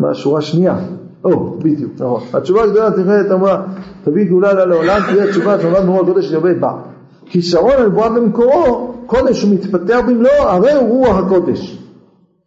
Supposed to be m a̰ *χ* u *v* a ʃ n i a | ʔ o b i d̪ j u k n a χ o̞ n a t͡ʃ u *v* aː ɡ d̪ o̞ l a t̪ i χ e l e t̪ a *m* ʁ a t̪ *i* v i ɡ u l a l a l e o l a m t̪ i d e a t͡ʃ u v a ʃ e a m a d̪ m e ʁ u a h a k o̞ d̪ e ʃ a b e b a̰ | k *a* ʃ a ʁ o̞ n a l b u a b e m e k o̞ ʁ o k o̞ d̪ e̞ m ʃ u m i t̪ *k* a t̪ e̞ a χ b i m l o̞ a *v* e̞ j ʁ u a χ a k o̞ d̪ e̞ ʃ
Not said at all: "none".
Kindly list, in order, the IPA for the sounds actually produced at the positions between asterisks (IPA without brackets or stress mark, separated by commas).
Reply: ʃ, ʁ, v, m, a, i, p, ʁ